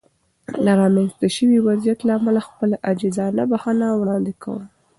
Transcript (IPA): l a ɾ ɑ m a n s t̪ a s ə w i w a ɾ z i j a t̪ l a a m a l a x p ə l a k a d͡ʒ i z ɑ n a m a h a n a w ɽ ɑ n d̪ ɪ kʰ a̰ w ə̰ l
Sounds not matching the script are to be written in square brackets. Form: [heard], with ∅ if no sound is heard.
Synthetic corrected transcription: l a ɾ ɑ m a n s t̪ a [ʃ] ə w i w a [∅] z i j a t̪ l a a m a l a x p ə l a [ʔ] a d͡ʒ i z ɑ n a [b] a h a n a w ɽ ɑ n d̪ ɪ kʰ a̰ w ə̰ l